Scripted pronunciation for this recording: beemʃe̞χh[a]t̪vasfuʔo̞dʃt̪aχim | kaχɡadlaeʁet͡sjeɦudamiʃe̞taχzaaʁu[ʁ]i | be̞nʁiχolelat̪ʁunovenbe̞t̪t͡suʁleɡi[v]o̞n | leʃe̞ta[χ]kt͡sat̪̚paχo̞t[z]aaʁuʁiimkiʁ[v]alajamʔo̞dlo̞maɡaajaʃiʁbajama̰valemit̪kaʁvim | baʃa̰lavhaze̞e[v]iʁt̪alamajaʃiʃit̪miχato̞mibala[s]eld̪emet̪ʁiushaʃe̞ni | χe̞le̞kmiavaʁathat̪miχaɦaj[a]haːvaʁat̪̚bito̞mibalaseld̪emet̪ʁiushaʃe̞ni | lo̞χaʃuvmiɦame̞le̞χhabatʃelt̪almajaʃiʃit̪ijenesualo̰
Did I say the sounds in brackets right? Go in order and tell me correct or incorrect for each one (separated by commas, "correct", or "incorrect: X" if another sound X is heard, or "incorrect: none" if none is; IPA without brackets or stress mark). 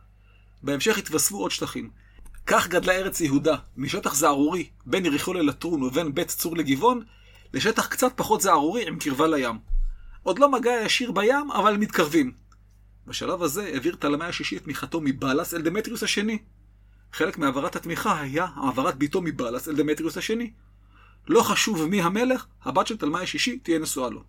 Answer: incorrect: i, correct, correct, correct, correct, correct, correct, correct, correct